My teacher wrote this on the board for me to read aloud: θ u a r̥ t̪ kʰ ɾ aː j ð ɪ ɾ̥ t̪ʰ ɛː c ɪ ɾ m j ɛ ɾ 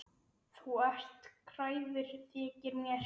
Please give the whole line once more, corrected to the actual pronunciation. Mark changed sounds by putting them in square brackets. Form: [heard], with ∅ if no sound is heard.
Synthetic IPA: θ u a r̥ t̪ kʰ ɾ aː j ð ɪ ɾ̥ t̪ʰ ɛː c ɪ ɾ m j ɛ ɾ